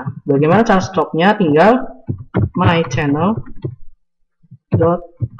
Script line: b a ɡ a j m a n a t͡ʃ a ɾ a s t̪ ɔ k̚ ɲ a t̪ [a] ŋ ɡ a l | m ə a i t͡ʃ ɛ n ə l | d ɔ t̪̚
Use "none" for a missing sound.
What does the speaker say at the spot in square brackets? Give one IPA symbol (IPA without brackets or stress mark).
i